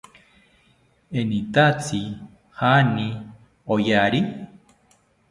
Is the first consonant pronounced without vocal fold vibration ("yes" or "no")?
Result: no